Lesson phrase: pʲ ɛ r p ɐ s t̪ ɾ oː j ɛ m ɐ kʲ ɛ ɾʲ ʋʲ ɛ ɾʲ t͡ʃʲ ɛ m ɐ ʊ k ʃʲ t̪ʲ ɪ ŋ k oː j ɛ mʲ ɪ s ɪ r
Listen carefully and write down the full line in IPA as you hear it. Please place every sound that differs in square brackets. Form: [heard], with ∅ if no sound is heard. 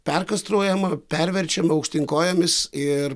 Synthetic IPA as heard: pʲ ɛ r [k] ɐ s t̪ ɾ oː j ɛ m ɐ [pʲ] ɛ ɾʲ ʋʲ ɛ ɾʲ t͡ʃʲ ɛ m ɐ ʊ k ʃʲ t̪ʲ ɪ ŋ k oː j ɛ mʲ ɪ s ɪ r